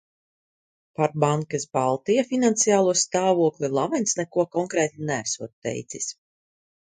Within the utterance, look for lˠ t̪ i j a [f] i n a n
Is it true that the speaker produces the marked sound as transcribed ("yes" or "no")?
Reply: yes